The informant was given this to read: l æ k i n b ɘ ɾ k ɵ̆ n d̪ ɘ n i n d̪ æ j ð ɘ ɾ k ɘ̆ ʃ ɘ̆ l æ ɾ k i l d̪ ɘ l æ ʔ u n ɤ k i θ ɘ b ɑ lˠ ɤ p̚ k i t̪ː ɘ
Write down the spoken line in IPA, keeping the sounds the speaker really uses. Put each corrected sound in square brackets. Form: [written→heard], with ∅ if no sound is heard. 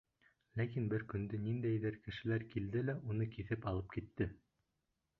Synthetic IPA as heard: l æ k i n b ɘ ɾ k ɵ̆ n d̪ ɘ n i n d̪ æ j ð ɘ ɾ k ɘ̆ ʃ ɘ̆ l æ ɾ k i l d̪ ɘ l æ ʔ u n ɤ k i θ ɘ [b→p] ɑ lˠ ɤ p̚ k i t̪ː ɘ